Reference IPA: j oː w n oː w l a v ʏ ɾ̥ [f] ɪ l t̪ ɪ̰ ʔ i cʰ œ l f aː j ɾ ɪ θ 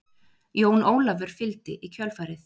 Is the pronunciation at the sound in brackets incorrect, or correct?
correct